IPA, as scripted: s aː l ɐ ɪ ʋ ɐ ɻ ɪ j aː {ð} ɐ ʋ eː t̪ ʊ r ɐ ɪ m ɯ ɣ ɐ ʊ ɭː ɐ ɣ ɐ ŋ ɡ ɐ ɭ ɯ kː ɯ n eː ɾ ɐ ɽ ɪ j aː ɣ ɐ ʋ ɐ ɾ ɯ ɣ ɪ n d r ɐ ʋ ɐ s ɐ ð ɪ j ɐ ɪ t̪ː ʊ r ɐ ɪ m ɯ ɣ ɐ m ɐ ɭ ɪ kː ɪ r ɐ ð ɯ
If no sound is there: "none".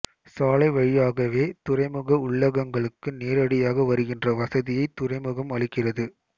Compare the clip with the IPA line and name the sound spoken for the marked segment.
ɣ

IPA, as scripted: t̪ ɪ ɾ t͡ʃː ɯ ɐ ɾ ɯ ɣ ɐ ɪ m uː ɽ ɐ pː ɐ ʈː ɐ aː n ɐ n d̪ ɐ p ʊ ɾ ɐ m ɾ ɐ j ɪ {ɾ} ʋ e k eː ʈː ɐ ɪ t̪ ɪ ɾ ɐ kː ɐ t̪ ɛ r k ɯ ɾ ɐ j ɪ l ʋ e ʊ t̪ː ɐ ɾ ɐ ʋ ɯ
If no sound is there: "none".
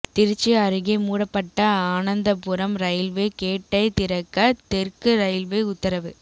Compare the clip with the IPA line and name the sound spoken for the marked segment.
l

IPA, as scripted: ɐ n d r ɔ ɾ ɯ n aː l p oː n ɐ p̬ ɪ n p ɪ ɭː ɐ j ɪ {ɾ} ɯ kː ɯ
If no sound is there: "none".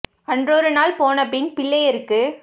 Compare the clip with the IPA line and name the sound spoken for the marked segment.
ɾ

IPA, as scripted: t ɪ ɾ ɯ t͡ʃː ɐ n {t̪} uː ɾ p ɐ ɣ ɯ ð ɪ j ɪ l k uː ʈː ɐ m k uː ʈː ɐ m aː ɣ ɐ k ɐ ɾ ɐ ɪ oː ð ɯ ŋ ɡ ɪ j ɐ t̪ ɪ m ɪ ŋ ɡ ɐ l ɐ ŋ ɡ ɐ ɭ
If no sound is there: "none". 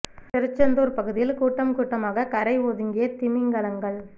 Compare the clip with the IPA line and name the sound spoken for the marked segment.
d̪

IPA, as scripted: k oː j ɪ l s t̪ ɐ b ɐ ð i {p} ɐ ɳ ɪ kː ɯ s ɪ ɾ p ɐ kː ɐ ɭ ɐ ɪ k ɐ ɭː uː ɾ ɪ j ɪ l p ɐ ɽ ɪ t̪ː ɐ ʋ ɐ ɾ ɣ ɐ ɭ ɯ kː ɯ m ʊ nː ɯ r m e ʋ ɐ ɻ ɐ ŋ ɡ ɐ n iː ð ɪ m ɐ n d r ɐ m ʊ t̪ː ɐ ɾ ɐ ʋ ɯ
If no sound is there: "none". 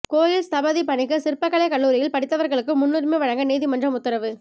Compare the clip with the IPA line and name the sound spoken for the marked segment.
p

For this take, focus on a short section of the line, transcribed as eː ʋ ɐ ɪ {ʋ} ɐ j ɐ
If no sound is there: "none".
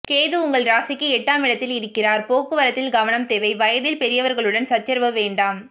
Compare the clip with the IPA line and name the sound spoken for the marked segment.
ʋ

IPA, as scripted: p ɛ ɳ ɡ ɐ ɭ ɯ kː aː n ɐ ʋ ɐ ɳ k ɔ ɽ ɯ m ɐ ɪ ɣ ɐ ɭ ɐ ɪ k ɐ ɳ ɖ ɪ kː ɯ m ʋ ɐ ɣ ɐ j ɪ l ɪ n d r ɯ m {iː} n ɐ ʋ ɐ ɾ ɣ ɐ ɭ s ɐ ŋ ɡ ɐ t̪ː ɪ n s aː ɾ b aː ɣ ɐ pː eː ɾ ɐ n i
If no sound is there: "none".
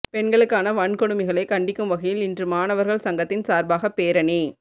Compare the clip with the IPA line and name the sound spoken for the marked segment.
aː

